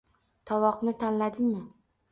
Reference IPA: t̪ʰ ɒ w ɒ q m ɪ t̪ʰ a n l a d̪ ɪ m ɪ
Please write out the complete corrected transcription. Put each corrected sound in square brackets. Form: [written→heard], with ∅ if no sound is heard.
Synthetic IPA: t̪ʰ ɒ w ɒ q [m→n] ɪ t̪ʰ a n l a d̪ ɪ m ɪ